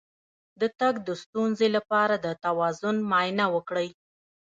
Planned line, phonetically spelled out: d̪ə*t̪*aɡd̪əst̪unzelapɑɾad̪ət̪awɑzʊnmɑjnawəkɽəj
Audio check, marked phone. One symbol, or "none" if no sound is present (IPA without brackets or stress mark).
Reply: t̪